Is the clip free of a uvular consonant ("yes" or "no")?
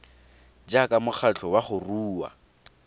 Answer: no